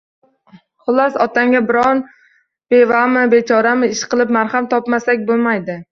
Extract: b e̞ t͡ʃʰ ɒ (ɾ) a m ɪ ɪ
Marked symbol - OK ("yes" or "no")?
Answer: yes